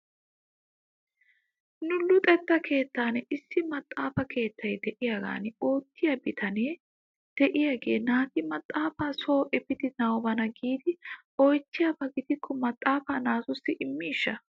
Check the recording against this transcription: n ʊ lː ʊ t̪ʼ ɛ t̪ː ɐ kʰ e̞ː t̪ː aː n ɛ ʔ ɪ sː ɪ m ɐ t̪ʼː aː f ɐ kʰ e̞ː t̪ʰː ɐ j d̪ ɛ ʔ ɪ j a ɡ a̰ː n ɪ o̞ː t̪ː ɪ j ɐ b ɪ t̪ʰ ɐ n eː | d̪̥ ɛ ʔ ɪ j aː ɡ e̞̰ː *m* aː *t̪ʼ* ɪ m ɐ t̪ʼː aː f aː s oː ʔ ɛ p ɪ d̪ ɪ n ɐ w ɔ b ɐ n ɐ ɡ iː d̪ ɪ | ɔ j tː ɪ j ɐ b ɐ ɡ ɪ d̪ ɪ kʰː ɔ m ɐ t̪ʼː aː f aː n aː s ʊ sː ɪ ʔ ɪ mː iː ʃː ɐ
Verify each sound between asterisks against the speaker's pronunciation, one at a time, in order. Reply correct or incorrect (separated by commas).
incorrect, incorrect